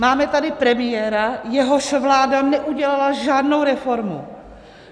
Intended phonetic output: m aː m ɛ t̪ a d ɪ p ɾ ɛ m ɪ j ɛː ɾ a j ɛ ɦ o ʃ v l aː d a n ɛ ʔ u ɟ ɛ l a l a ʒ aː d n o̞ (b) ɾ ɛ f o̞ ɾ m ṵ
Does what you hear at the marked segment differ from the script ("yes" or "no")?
yes